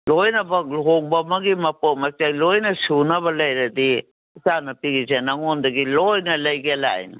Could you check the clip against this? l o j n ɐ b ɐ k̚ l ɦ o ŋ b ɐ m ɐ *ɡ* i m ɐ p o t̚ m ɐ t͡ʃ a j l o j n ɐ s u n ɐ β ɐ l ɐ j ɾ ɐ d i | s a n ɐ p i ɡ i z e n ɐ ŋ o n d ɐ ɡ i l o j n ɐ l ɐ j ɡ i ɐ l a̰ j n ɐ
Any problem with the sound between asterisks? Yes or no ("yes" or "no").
no